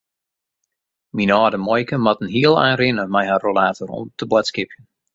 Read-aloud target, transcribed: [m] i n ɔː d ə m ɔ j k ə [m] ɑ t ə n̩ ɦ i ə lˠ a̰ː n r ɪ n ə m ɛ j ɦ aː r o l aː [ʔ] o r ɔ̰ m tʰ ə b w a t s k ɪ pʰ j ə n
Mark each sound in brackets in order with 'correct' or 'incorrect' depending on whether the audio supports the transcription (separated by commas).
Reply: correct, correct, incorrect